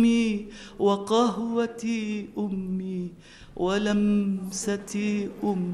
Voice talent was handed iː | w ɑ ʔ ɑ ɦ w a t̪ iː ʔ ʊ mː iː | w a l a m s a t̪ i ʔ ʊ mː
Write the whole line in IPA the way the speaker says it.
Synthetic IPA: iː | w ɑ q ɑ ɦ w a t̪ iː ʔ ʊ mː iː | w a l a m s a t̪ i ʔ ʊ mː